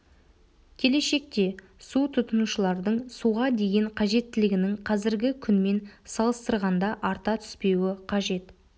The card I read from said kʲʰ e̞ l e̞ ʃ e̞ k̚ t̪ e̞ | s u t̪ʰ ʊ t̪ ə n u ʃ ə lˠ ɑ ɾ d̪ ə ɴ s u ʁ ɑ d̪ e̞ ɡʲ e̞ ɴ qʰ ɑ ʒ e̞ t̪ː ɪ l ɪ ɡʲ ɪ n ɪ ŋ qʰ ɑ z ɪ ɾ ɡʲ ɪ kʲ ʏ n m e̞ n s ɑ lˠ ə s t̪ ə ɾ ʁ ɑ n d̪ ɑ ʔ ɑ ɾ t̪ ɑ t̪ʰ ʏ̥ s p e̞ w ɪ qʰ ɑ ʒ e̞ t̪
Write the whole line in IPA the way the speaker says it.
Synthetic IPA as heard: kʲʰ e̞ l e̞ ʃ e̞ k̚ t̪ e̞ | s u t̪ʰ ʊ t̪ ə n u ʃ ə lˠ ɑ ɾ d̪ ə ɴ s u ʁ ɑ d̪ e̞ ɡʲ e̞ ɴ qʰ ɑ ʒ e̞ t̪ː ɪ l ɪ ɡʲ ɪ n ɪ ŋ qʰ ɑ z ɪ ɾ ɡʲ ɪ kʲʰ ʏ n m e̞ n s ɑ lˠ ə s t̪ ə ɾ ʁ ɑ n d̪ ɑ ʔ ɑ ɾ t̪ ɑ t̪ʰ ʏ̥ s p e̞ w ɪ qʰ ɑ ʒ e̞ t̪